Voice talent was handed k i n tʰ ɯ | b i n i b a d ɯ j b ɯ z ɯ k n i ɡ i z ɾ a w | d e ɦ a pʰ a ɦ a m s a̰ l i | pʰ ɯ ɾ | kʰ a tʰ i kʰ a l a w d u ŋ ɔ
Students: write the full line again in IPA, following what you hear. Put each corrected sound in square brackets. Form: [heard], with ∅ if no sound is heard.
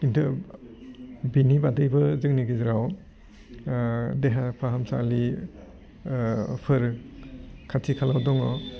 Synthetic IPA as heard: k i n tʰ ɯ | b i n i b a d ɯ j b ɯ z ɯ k n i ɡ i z ɾ a w | d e ɦ a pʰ a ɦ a m s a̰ l i | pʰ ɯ ɾ | kʰ a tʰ i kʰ a l a w d [ɔ] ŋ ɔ